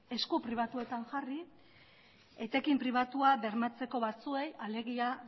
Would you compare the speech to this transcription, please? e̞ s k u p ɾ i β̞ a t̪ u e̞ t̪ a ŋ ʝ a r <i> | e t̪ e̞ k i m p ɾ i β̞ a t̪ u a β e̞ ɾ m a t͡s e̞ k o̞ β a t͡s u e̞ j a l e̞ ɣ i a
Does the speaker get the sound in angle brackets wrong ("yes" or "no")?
no